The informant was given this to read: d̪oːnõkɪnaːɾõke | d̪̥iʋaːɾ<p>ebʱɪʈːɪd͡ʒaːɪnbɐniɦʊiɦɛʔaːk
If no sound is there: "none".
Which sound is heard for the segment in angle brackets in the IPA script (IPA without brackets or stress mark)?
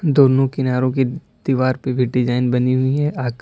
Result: p